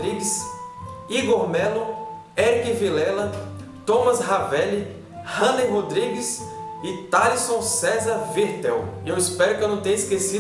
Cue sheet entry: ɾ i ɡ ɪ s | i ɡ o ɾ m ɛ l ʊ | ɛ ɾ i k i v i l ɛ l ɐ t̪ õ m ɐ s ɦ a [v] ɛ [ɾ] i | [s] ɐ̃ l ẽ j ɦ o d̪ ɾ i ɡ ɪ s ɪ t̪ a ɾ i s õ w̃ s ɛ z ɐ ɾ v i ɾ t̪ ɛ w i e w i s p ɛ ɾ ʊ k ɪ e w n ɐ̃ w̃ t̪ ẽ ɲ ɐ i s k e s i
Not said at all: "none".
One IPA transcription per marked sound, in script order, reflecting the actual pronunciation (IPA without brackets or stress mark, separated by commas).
v, l, h